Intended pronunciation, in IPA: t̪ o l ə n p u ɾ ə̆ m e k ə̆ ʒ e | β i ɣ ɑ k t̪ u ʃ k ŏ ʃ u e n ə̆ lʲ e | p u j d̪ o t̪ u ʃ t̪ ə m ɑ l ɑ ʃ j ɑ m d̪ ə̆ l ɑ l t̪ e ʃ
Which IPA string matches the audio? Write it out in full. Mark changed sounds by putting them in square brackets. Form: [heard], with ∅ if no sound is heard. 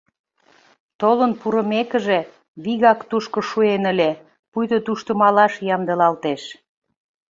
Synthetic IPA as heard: t̪ o l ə n p u ɾ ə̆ m e k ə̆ ʒ e | β i ɣ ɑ k t̪ u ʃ k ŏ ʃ u e n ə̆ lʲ e | p u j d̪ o t̪ u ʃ t̪ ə m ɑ l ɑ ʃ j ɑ m d̪ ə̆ l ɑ l t̪ e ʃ